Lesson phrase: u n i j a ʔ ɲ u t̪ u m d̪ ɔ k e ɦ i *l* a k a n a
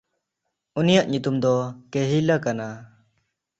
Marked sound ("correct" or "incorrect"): correct